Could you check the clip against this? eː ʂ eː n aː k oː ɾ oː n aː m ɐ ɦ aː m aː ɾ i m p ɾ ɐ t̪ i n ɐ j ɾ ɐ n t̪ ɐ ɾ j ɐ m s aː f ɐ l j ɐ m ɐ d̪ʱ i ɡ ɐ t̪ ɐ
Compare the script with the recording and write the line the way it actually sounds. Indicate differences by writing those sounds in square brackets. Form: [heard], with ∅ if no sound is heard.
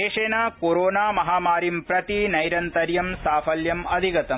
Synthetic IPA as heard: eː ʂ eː n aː k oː ɾ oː n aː m ɐ ɦ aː m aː ɾ i m p ɾ ɐ t̪ i n ɐ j ɾ ɐ n t̪ ɐ ɾ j ɐ m s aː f ɐ l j ɐ m ɐ d̪ʱ i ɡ ɐ t̪ ɐ